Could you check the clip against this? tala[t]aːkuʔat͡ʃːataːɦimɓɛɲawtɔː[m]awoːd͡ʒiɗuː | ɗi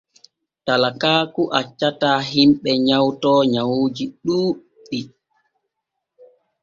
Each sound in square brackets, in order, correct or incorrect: incorrect: k, incorrect: ɲ

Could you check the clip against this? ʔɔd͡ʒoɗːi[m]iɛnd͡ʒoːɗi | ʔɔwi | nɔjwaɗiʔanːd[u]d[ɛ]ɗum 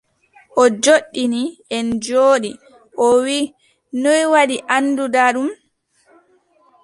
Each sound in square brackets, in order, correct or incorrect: incorrect: n, correct, incorrect: a

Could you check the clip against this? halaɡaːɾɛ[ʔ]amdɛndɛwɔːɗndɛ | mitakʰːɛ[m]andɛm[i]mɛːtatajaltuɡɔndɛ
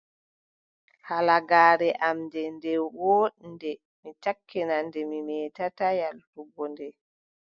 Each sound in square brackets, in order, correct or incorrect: correct, incorrect: n, correct

